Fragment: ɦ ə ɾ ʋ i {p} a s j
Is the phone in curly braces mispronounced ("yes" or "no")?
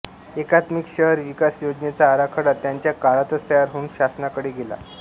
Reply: yes